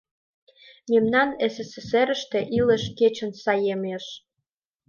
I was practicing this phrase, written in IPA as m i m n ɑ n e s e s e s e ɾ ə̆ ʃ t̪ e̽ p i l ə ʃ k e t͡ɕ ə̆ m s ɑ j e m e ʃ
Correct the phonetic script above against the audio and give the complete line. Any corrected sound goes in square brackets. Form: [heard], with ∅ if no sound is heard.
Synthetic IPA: m [e] m n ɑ n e s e s e s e ɾ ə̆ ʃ t̪ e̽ [ʔ] i l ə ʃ k e t͡ɕ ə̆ [n] s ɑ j e m e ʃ